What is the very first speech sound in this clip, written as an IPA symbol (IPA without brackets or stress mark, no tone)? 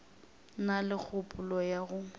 n